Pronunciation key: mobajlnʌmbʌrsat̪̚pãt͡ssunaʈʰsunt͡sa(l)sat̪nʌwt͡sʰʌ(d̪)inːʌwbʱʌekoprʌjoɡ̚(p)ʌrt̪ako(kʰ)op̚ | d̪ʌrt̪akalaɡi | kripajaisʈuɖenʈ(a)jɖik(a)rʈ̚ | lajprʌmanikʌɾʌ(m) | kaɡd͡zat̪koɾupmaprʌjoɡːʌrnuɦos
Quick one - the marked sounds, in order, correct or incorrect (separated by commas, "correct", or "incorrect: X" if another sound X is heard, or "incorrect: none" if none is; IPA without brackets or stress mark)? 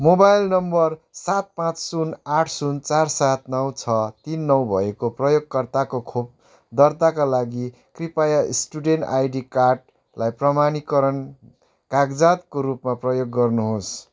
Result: incorrect: r, incorrect: t̪, incorrect: k, correct, correct, correct, incorrect: n